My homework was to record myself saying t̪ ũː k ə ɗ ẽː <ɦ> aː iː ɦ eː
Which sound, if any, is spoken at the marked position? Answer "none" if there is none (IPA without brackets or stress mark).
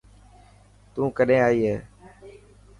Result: none